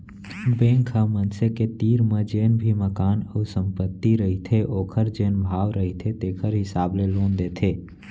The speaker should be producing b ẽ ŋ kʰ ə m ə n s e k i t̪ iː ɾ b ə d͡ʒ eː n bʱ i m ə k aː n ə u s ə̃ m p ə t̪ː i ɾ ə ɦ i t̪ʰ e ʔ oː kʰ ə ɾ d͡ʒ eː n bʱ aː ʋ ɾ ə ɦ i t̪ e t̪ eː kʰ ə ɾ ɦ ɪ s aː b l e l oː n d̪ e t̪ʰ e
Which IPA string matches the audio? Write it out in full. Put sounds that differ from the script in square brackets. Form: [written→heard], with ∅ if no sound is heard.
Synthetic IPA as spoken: b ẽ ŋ kʰ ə m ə n s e k [i→e] t̪ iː ɾ [b→m] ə d͡ʒ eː n bʱ i m ə k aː n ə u s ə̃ m p ə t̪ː i ɾ ə ɦ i t̪ʰ e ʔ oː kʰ ə ɾ d͡ʒ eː n bʱ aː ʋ ɾ ə ɦ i [t̪→t̪ʰ] e t̪ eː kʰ ə ɾ ɦ ɪ s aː b l e l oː n d̪ e t̪ʰ e